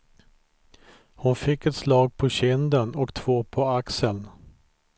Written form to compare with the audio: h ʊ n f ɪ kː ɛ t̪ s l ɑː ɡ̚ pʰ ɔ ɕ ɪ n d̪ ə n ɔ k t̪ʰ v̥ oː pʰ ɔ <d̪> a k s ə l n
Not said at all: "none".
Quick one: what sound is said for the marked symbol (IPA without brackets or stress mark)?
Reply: none